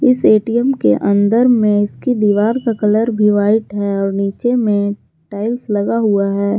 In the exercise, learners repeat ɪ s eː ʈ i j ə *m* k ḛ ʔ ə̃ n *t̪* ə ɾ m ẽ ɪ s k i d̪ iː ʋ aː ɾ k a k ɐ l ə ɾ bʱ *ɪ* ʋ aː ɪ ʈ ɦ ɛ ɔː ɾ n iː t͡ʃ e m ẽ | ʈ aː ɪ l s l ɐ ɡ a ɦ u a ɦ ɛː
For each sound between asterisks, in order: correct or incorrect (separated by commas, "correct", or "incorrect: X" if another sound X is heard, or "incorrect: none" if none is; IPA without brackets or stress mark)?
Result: correct, incorrect: d̪, incorrect: i